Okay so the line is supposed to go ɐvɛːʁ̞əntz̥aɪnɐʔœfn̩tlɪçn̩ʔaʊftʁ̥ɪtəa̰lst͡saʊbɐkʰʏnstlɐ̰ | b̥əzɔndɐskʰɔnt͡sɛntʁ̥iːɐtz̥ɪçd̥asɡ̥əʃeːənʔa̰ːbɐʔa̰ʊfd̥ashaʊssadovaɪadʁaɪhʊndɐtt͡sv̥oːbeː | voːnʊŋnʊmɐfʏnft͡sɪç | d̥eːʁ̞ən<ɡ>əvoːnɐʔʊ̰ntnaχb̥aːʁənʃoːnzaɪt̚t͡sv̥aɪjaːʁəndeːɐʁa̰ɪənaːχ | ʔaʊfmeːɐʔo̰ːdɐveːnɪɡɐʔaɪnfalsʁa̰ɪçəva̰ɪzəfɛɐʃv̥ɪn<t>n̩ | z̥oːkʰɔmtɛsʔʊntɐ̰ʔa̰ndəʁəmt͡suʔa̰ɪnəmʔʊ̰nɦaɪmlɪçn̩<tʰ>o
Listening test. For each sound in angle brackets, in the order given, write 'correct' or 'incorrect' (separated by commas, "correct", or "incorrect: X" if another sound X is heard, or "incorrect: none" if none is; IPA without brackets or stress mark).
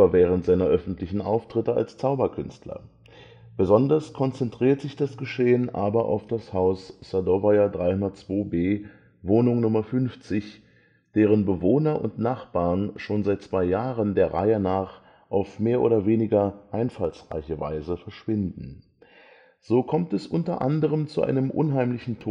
incorrect: b, incorrect: d, correct